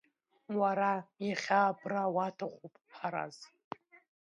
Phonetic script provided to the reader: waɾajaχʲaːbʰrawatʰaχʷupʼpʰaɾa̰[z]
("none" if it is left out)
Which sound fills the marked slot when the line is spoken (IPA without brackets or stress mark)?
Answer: z